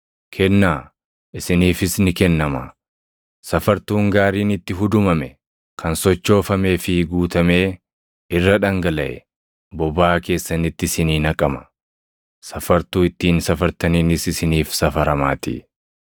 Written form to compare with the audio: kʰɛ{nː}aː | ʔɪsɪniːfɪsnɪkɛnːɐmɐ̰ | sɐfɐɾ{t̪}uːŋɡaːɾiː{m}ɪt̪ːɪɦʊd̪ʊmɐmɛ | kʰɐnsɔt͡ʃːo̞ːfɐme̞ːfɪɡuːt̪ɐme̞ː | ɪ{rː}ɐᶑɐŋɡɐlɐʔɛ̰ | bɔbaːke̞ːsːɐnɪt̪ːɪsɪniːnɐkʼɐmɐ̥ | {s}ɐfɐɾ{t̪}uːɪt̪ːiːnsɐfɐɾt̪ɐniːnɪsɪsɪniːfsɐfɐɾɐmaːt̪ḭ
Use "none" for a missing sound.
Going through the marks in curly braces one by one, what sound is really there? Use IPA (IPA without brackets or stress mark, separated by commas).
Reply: nː, t̪, n, rː, s, t̪